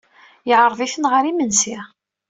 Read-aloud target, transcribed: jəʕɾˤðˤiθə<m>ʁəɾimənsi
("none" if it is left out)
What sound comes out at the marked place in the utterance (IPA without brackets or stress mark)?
n